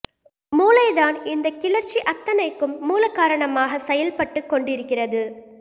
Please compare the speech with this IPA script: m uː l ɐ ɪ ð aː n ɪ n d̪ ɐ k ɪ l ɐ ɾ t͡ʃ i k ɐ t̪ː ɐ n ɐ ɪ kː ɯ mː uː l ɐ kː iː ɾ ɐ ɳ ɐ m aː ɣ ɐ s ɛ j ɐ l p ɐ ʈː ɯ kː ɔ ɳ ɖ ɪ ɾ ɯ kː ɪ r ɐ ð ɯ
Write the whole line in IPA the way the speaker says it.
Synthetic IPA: m uː l ɐ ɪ ð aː n ɪ n d̪ ɐ k ɪ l ɐ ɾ t͡ʃ i ʔ ɐ t̪ː ɐ n ɐ ɪ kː ɯ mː uː l ɐ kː aː ɾ ɐ ɳ ɐ m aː ɣ ɐ s ɛ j ɐ l p ɐ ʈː ɯ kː ɔ ɳ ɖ ɪ ɾ ɯ kː ɪ r ɐ ð ɯ

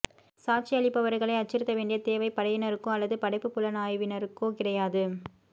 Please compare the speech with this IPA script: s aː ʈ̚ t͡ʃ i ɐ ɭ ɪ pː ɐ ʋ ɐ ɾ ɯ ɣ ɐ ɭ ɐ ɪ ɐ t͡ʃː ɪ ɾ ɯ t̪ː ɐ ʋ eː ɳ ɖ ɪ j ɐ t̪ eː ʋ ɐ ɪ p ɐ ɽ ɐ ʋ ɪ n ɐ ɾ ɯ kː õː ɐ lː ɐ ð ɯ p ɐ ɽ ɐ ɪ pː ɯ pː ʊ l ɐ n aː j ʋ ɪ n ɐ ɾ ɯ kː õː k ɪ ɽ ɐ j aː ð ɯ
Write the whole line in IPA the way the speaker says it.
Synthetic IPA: s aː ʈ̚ t͡ʃ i ɐ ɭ ɪ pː ɐ ʋ ɐ ɾ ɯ ɣ ɐ ɭ ɐ ɪ ɐ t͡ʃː ɪ ɾ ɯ t̪ː ɐ ʋ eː ɳ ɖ ɪ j ɐ t̪ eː ʋ ɐ ɪ p ɐ ɽ ɐ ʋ ɪ n ɐ ɾ ɯ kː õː ɐ lː ɐ ð ɯ p ɐ ɽ ɐ ɪ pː ɯ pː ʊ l ɐ n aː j ʋ ɪ n ɐ ɾ ɯ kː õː k ɪ ɽ ɐ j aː ð ɯ

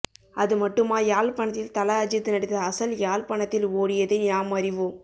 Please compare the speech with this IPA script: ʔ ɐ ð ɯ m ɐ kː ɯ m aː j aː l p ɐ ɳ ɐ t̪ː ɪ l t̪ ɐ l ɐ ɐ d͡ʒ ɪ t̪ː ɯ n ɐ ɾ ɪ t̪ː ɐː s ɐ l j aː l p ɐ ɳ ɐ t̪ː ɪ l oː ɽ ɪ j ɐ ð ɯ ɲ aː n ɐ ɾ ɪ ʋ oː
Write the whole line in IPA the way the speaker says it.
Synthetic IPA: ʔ ɐ ð ɯ m ɐ ʈː ɯ m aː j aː l p ɐ ɳ ɐ t̪ː ɪ l t̪ ɐ l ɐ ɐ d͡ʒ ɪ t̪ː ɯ n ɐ ɽ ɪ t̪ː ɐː s ɐ l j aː l p ɐ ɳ ɐ t̪ː ɪ l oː ɽ ɪ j ɐ ð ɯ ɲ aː m ɐ ɾ ɪ ʋ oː

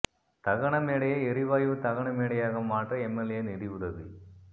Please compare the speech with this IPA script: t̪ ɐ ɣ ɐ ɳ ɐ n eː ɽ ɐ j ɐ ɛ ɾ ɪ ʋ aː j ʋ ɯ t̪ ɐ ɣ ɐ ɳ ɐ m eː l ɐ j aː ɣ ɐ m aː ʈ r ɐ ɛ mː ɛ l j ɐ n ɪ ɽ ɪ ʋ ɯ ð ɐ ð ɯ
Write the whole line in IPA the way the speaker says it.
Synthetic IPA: t̪ ɐ ɣ ɐ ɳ ɐ m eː ɽ ɐ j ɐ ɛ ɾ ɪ ʋ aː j ʋ ɯ t̪ ɐ ɣ ɐ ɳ ɐ m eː ɽ ɐ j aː ɣ ɐ m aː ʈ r ɐ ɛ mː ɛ l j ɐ n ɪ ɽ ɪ ʋ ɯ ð ɐ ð ɯ

